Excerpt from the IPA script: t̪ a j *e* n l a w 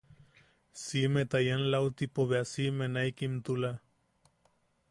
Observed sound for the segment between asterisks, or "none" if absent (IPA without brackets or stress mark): a